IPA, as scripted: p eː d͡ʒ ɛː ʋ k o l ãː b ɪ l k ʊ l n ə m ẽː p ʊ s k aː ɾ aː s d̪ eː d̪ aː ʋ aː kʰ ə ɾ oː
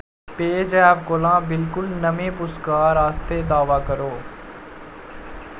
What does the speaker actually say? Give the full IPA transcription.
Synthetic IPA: p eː d͡ʒ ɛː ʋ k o l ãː b ɪ l k ʊ l n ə m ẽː p ʊ s k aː ɾ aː s t̪ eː d̪ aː ʋ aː k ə ɾ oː